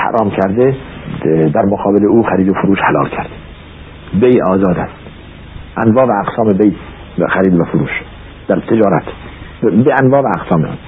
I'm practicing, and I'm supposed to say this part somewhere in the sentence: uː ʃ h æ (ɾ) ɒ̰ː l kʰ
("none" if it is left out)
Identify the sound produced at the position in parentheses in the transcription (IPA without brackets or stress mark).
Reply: l